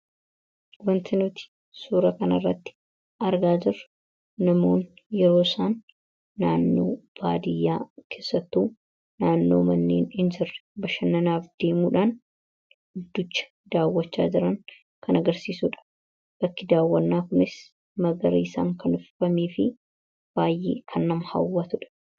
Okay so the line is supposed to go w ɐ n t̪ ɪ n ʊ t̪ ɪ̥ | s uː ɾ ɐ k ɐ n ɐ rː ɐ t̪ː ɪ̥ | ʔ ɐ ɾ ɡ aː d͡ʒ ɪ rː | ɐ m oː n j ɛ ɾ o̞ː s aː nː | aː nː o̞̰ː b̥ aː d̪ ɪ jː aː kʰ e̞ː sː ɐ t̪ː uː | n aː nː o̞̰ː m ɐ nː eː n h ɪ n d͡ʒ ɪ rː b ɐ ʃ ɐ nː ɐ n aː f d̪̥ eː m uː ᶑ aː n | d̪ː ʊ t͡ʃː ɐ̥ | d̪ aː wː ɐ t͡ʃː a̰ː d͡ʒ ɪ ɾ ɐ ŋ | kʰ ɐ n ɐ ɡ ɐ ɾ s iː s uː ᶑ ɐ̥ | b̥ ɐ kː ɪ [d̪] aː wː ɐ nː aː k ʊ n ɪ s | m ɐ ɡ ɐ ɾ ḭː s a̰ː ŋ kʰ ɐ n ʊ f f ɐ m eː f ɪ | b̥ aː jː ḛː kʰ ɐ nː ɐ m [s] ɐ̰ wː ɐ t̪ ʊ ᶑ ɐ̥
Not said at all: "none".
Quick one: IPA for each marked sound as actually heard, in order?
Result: d̪, h

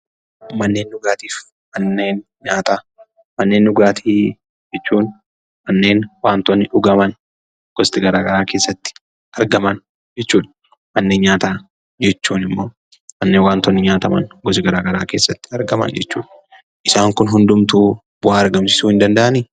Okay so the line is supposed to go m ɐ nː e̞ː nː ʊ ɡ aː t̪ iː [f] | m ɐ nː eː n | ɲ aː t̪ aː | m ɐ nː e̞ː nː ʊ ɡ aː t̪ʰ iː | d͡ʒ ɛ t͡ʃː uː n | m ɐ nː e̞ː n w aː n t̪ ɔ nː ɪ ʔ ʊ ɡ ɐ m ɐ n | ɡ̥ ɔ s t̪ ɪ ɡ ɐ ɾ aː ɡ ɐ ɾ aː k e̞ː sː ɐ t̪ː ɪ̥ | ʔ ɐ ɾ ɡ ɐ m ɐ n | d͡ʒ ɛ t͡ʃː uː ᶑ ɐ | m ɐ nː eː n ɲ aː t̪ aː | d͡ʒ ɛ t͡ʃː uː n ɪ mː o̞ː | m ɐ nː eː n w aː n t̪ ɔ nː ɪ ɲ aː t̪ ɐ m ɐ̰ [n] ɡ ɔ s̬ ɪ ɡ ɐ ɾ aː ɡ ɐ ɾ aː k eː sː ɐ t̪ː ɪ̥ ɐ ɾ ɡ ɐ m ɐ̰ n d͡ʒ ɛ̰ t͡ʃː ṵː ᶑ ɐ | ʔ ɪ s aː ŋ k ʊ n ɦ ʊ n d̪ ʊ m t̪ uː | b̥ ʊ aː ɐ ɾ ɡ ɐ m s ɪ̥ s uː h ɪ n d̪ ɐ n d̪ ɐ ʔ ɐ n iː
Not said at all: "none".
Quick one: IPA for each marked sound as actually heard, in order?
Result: f, n

